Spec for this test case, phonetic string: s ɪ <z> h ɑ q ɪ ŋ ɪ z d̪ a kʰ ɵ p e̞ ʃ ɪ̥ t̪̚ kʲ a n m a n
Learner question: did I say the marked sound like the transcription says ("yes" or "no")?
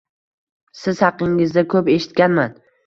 yes